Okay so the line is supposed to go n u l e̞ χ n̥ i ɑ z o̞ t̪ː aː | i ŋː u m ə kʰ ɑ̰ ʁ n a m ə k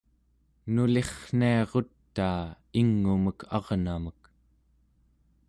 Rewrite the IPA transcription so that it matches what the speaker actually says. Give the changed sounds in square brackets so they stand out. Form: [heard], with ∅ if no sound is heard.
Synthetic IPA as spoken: n u l e̞ χ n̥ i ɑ [ʁ] o̞ t̪ː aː | i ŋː u m ə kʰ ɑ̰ ʁ n a m ə k